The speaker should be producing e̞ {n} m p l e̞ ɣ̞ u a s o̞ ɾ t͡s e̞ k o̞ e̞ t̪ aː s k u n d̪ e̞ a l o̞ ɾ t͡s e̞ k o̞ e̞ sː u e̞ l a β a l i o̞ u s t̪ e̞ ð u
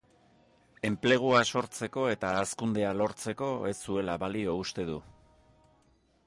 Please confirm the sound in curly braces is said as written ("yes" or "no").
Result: no